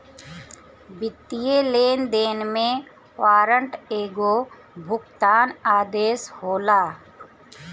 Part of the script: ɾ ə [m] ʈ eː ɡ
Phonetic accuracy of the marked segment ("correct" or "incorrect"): incorrect